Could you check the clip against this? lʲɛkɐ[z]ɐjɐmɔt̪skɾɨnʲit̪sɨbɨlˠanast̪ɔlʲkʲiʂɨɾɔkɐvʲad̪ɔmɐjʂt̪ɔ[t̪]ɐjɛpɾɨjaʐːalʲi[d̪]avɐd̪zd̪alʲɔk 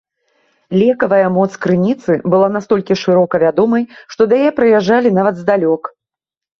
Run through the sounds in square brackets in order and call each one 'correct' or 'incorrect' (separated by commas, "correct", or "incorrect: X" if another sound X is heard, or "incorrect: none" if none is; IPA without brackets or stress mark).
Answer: incorrect: v, incorrect: d̪, incorrect: n̪